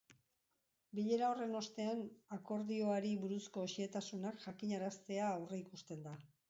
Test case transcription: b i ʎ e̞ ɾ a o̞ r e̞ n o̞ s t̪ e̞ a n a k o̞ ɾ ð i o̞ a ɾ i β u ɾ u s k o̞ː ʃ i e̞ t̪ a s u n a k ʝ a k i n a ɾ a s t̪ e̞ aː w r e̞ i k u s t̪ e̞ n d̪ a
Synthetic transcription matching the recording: b i ʎ e̞ ɾ a o̞ r e̞ n o̞ s t̪ e̞ a n a k o̞ ɾ ð i o̞ a ɾ i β u ɾ u s k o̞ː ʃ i e̞ t̪ a s u n a k ʝ a k i ɲ a ɾ a s t̪ e̞ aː w r e̞ i k u s t̪ e̞ n d̪ a